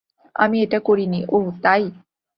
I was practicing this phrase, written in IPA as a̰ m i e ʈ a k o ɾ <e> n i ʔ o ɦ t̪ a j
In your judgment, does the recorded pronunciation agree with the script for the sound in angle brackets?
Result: no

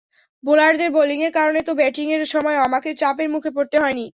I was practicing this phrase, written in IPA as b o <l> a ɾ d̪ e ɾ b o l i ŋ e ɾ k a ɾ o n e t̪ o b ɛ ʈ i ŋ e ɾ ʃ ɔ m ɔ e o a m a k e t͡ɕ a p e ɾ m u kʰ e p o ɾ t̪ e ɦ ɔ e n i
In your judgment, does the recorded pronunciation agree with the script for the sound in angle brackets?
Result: yes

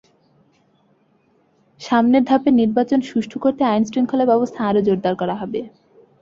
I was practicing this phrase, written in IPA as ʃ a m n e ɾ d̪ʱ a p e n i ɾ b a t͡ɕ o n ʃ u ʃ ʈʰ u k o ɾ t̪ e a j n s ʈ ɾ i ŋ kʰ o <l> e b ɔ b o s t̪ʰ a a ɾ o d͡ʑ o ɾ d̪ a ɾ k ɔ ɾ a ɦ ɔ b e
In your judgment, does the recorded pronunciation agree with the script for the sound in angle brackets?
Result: yes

